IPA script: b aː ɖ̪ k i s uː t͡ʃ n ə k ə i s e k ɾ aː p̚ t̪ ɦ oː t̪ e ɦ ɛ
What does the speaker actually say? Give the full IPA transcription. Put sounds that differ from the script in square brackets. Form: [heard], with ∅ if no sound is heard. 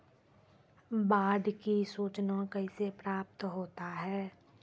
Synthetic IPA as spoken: b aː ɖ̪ k i s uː t͡ʃ n [a] k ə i s e [p] ɾ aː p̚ t̪ ɦ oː t̪ [a] ɦ [ɛː]